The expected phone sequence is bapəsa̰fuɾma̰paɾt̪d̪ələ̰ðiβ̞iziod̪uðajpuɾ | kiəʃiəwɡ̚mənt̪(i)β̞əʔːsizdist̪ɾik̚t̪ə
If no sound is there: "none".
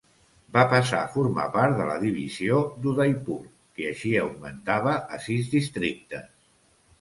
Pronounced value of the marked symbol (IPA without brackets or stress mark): a